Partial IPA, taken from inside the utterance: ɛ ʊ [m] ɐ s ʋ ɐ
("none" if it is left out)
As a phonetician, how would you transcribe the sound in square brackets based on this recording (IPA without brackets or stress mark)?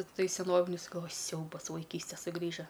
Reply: b